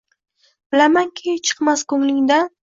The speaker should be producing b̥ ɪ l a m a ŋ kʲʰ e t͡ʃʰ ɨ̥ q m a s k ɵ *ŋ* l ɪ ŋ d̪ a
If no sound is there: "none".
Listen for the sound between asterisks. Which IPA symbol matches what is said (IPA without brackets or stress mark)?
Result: ŋ